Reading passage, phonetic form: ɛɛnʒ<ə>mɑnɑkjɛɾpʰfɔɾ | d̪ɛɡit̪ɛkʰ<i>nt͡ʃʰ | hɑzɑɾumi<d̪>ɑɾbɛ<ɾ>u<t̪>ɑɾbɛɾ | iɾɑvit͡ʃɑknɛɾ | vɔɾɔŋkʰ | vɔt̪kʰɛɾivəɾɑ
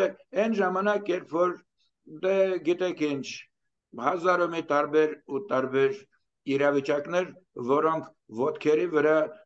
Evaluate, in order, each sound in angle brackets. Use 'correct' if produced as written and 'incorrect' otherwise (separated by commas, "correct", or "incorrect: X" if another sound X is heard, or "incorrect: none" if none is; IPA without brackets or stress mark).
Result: incorrect: ɑ, correct, incorrect: t̪, correct, correct